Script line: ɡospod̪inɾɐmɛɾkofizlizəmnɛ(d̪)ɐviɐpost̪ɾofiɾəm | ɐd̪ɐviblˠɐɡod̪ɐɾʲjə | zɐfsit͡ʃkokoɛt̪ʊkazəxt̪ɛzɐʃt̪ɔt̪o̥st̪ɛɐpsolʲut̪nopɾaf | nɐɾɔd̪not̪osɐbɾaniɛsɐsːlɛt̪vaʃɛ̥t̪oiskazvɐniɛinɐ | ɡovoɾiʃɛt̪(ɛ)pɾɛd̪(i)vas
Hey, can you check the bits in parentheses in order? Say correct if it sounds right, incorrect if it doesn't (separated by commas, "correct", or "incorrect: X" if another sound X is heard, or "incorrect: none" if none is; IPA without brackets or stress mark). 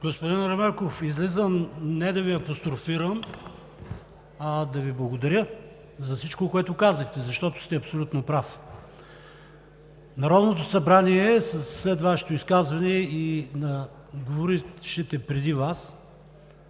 correct, correct, correct